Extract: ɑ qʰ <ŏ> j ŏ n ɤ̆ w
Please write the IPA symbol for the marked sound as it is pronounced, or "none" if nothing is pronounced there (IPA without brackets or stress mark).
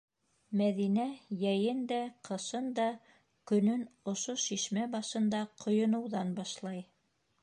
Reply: ŏ